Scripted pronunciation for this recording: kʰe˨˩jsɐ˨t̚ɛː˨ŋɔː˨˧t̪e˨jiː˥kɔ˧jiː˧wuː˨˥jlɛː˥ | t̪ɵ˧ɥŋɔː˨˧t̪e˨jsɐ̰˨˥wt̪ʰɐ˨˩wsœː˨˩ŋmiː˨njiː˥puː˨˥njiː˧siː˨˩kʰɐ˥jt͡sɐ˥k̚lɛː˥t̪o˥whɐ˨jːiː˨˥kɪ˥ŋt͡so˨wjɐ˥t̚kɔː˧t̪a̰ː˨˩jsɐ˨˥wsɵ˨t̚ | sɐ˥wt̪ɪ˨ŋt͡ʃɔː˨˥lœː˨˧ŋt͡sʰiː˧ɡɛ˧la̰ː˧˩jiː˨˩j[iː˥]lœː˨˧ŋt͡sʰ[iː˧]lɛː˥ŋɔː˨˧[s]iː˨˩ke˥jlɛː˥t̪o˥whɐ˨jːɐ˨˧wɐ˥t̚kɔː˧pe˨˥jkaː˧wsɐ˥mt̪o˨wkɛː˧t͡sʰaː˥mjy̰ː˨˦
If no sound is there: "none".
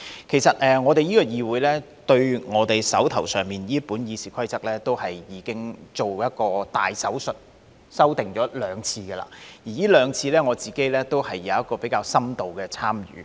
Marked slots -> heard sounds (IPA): iː˥, iː˧, t͡s

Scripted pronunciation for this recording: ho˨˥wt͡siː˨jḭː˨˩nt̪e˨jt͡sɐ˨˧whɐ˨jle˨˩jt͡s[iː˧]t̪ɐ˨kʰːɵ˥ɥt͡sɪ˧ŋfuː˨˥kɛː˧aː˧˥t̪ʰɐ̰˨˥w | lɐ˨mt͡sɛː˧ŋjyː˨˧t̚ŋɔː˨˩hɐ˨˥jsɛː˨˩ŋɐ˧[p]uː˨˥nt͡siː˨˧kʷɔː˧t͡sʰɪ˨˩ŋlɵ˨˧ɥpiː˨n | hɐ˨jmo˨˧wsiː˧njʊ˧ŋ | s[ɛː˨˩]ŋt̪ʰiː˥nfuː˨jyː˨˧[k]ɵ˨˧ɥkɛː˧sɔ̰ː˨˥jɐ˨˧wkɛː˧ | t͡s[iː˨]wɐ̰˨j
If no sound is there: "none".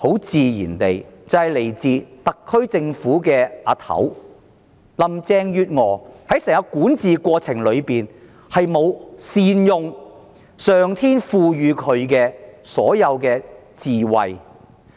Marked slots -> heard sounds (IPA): iː˧, k, œː˨˩, kʰ, iː˨

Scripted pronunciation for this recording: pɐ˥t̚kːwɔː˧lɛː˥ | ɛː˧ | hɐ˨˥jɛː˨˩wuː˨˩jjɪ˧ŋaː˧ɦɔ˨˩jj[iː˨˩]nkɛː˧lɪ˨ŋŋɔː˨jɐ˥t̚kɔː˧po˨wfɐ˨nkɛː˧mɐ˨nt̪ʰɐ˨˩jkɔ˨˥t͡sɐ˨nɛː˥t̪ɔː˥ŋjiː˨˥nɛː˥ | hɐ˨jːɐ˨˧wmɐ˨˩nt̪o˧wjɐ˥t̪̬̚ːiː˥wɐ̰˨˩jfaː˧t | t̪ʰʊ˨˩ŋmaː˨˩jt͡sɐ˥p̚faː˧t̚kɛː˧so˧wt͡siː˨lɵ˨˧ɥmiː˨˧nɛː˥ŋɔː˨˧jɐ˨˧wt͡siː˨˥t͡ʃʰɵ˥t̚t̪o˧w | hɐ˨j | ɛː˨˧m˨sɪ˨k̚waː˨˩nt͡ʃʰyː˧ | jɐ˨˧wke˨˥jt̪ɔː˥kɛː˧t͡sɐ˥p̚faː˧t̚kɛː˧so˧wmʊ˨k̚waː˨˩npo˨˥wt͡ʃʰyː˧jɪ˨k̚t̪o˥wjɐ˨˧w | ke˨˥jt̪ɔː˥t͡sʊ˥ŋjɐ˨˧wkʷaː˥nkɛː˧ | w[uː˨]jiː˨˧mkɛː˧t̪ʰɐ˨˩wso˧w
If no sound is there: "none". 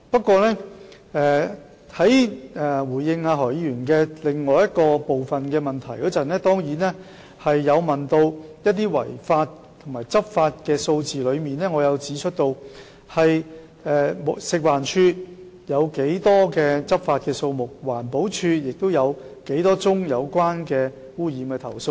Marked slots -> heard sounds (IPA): yː˨˩, uː˥

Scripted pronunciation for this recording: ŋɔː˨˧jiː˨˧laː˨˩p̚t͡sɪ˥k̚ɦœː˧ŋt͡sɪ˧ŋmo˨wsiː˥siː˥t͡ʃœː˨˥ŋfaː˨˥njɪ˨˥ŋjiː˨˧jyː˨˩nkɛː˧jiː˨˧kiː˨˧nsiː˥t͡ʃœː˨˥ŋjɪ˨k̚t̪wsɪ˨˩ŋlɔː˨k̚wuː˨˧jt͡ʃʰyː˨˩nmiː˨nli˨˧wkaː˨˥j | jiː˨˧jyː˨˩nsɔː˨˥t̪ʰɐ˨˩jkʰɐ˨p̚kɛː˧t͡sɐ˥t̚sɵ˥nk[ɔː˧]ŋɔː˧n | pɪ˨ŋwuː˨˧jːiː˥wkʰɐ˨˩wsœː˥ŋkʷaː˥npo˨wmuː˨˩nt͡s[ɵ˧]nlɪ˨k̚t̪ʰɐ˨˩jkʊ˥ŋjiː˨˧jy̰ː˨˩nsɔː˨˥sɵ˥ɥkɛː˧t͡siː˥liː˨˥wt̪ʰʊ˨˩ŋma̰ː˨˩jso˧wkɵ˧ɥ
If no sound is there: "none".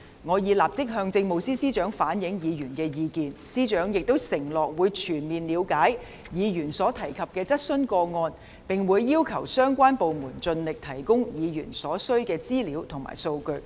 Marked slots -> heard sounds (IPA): ɔː˧, ɵ˧

